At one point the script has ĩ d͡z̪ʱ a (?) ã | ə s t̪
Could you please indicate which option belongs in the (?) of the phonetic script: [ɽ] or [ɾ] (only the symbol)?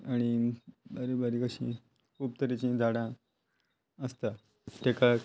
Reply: ɽ